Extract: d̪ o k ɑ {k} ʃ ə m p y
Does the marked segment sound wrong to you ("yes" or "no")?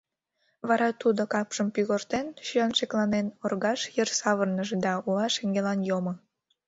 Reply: yes